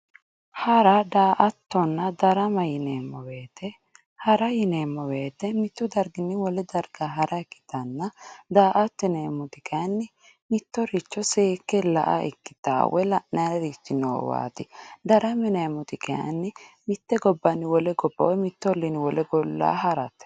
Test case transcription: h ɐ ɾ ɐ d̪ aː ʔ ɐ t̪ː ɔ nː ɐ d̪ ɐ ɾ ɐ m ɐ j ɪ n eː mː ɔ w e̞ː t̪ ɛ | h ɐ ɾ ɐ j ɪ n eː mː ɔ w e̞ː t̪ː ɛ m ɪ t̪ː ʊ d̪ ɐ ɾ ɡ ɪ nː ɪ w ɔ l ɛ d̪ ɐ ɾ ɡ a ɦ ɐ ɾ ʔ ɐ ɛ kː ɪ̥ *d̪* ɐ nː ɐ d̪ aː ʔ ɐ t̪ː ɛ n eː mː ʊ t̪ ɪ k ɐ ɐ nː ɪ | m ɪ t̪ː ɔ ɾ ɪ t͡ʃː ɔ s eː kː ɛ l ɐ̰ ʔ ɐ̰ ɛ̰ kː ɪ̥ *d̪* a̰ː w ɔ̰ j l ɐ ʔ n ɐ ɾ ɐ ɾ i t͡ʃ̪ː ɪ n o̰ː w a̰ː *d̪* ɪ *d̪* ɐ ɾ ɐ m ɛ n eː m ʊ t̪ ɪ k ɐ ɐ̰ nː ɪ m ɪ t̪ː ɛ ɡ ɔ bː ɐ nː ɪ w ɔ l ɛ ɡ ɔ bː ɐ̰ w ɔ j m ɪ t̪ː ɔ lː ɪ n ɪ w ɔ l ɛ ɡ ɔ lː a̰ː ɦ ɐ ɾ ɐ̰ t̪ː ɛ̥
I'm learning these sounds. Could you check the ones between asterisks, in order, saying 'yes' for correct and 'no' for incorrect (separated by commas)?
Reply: no, no, no, yes